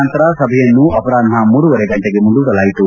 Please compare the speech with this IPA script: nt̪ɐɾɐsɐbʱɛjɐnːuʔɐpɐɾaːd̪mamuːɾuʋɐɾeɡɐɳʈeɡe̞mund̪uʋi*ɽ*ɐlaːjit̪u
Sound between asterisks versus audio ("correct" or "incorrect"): correct